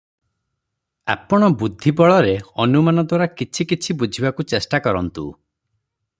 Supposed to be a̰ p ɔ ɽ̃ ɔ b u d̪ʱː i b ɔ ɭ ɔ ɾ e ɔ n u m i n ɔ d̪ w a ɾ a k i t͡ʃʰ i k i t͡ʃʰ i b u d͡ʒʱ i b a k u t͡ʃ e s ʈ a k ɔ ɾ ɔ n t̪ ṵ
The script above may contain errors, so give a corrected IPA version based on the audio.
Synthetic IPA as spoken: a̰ p ɔ ɽ̃ ɔ b u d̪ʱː i b ɔ ɭ ɔ ɾ e ɔ n u m a n ɔ d̪ w a ɾ a k i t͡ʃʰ i k i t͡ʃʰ i b u d͡ʒʱ i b a k u t͡ʃ e s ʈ a k ɔ ɾ ɔ n t̪ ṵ